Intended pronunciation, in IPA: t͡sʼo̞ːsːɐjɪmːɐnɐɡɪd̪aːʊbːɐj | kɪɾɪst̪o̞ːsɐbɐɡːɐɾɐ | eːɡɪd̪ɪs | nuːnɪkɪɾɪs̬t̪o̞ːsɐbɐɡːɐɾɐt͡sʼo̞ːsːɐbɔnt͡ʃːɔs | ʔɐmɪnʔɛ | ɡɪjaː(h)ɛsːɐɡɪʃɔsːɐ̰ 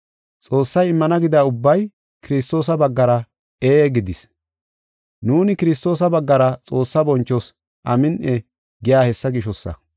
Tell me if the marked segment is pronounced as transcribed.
yes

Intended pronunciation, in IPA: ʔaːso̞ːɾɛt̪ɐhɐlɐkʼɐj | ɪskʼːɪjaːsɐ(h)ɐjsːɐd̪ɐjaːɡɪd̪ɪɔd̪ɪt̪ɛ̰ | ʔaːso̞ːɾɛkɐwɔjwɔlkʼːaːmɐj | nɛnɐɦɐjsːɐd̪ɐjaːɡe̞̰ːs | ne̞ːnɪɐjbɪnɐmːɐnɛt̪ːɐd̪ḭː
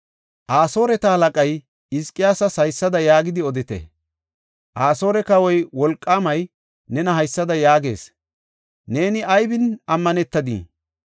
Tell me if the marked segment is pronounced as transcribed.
no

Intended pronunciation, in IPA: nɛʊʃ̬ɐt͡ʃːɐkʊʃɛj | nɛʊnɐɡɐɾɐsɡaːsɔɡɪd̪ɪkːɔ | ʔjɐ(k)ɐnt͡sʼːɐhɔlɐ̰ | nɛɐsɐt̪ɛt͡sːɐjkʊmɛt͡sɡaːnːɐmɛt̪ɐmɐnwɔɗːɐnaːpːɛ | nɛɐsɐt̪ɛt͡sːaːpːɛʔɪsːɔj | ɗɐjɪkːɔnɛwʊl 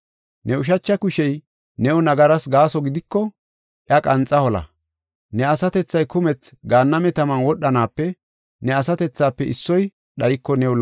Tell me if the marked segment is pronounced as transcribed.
no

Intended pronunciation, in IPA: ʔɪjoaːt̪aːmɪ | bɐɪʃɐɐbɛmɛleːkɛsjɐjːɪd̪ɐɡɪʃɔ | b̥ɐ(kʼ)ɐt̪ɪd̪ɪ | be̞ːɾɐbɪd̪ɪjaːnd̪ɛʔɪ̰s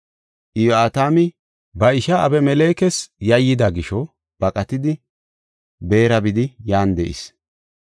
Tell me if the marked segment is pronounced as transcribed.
yes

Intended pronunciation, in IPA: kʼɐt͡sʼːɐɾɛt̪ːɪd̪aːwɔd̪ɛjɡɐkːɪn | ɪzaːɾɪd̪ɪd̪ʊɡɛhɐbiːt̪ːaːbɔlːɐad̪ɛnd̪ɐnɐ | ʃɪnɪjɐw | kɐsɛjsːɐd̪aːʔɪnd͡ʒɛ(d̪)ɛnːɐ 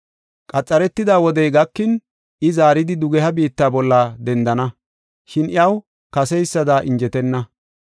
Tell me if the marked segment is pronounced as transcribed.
no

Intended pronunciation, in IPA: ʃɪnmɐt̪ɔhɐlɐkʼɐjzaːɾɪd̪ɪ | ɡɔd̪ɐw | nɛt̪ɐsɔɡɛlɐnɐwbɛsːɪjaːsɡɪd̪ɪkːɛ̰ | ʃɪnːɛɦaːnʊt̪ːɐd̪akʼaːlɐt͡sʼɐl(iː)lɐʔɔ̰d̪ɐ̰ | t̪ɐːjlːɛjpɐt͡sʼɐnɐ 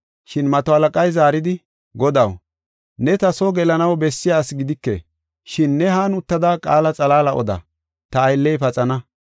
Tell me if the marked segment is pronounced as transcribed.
no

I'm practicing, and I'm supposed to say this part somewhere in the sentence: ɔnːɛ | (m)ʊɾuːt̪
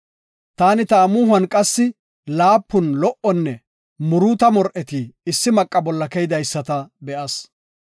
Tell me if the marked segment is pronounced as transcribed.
yes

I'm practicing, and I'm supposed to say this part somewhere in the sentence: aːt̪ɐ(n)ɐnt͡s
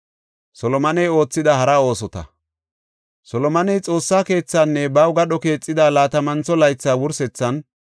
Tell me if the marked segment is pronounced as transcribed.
no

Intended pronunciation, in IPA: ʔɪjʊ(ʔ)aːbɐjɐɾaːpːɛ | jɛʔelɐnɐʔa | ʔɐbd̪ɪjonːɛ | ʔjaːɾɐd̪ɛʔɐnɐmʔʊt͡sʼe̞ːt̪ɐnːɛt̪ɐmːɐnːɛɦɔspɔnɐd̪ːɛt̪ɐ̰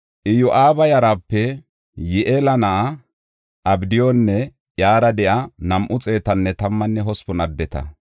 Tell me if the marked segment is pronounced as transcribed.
yes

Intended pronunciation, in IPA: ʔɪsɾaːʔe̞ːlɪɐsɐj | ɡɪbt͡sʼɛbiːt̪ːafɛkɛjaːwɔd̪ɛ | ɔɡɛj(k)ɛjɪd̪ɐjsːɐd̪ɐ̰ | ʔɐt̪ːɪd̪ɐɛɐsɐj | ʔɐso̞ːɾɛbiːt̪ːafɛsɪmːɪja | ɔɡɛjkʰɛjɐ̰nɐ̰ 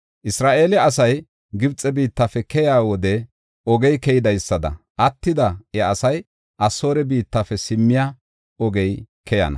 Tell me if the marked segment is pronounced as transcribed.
yes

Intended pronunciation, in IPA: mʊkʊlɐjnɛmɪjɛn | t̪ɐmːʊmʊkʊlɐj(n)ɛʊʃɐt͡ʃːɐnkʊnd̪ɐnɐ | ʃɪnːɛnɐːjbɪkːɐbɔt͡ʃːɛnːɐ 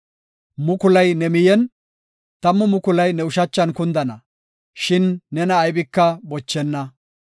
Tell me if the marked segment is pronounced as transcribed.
yes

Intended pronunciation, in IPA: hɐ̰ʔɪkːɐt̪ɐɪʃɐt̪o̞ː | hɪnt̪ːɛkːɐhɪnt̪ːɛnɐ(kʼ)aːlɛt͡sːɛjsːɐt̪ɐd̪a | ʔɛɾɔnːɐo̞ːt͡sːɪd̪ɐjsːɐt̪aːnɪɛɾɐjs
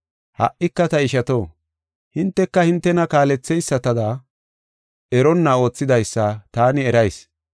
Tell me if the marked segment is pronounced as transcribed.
no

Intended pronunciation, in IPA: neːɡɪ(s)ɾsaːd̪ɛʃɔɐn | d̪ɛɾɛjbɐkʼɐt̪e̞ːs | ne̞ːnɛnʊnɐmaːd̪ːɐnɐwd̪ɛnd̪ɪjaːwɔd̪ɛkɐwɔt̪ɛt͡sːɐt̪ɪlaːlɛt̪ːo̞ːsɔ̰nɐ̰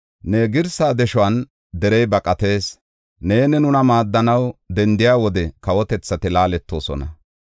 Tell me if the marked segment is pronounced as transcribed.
no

